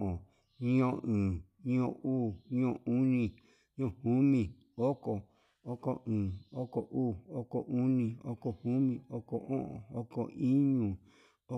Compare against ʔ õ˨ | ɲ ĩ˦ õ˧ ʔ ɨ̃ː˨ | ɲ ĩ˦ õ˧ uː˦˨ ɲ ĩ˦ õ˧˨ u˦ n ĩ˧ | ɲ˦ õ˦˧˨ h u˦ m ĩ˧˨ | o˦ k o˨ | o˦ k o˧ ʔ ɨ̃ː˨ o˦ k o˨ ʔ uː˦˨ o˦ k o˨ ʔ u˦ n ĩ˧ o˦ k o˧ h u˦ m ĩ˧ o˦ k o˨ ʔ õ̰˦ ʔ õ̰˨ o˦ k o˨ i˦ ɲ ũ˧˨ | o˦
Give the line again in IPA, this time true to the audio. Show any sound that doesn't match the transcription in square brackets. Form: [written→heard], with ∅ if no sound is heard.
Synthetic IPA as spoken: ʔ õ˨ | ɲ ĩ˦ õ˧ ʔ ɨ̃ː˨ | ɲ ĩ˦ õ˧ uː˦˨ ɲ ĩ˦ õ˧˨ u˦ n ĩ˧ | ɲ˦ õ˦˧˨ h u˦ m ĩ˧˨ | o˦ k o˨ | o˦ k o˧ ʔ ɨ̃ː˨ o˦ k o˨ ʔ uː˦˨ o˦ k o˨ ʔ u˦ n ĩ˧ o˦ k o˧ h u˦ m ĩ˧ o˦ k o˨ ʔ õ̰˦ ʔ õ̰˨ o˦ k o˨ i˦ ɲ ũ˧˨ | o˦